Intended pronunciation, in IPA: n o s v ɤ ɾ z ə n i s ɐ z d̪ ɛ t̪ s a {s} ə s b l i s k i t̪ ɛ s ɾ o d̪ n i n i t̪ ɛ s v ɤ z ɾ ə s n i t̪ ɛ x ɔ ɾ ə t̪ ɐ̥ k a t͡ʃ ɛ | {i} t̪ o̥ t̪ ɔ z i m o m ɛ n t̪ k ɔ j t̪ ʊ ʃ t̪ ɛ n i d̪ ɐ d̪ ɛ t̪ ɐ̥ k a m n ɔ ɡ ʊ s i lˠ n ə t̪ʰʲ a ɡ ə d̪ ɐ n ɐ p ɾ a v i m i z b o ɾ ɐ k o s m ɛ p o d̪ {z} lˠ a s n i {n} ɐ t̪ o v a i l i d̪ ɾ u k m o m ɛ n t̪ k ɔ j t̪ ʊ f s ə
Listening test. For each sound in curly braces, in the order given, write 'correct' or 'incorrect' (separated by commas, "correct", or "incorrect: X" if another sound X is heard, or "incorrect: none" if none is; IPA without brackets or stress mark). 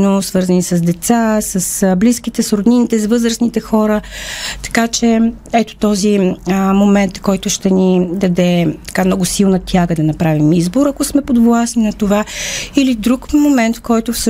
correct, incorrect: ɛ, incorrect: v, correct